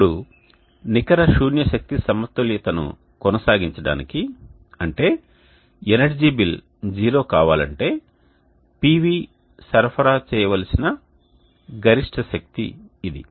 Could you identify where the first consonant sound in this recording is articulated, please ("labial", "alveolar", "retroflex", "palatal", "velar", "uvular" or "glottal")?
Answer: retroflex